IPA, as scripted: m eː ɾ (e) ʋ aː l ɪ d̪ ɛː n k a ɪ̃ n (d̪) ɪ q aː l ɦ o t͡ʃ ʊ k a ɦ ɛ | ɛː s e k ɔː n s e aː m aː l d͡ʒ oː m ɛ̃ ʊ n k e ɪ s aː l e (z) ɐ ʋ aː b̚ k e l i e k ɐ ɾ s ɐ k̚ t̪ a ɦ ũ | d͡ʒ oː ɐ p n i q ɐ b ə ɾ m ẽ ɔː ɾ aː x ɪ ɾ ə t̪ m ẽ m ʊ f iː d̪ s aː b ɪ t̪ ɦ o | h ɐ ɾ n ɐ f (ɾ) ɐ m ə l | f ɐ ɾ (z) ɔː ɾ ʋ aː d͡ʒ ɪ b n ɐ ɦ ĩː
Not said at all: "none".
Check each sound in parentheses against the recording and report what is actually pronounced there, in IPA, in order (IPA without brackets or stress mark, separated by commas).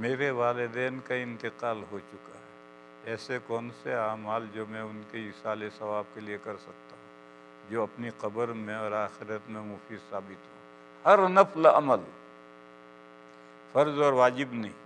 e, t̪, s, l, z